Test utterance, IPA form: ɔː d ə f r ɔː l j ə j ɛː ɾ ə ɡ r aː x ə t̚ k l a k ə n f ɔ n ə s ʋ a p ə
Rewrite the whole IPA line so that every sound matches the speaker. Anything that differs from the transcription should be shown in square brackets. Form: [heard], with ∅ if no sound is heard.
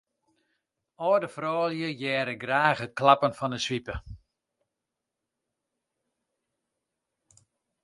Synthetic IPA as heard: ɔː d ə f r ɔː l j ə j ɛː ɾ ə ɡ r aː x ə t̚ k l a [p] ə n f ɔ n ə s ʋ [i] p ə